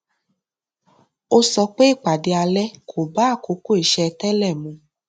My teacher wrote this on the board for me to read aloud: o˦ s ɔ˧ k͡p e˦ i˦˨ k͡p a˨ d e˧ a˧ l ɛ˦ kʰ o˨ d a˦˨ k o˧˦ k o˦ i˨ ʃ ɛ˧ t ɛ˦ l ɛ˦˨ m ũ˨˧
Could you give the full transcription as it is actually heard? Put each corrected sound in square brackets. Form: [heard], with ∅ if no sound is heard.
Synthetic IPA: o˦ s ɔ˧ k͡p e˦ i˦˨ k͡p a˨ d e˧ a˧ l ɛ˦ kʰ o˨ [b] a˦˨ k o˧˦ k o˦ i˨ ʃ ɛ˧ t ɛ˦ l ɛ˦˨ m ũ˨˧